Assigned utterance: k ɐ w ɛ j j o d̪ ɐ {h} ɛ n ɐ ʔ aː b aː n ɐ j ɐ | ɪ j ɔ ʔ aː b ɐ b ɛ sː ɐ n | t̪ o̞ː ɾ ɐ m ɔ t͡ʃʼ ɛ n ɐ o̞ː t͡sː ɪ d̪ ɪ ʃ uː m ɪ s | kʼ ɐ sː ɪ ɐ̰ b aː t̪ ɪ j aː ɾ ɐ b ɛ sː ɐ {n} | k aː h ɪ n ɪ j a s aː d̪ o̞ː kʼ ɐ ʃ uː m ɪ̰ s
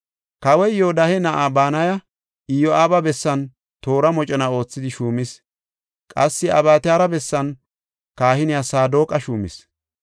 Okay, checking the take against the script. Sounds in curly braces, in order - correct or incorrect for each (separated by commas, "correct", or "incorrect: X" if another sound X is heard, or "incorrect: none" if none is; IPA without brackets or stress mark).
correct, correct